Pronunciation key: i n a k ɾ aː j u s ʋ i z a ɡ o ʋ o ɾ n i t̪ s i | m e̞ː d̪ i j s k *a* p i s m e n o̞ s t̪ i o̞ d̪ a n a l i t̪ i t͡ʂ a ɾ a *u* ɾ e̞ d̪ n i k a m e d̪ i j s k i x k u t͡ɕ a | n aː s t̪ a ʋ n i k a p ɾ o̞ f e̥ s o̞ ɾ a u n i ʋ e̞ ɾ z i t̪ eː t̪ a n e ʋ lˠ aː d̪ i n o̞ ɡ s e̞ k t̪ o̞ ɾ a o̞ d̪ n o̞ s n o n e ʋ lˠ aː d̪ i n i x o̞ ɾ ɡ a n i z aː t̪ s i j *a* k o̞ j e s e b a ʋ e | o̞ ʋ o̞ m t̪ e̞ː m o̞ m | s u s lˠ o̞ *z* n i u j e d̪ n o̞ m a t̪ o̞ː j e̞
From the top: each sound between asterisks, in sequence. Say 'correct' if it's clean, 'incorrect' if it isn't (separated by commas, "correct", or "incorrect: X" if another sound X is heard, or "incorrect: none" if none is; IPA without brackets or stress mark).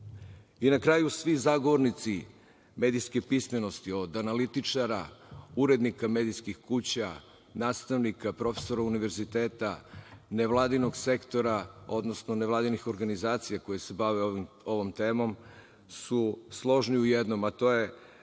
incorrect: e, correct, correct, incorrect: ʒ